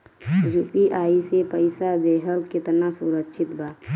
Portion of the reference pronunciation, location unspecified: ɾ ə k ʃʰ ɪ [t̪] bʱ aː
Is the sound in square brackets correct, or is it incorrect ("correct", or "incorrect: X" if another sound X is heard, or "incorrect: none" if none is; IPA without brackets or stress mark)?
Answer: correct